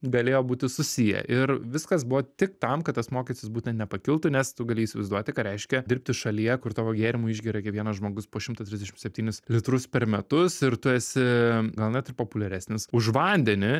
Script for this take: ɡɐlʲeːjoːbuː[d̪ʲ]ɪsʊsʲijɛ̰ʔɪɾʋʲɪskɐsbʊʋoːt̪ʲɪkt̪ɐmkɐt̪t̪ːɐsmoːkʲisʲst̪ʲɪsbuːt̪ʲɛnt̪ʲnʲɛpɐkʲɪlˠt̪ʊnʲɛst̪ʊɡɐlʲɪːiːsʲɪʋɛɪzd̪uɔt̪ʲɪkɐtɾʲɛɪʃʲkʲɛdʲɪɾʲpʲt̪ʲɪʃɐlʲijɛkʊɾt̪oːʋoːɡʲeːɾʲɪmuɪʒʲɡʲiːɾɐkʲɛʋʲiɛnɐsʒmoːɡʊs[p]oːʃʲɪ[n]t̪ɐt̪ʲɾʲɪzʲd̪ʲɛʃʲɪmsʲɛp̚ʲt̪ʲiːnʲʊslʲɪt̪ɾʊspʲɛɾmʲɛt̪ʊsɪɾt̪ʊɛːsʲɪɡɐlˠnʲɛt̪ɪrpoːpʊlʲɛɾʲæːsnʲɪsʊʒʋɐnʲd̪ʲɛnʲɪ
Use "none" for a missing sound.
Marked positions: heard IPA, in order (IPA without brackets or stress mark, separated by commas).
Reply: t̪ʲ, p, m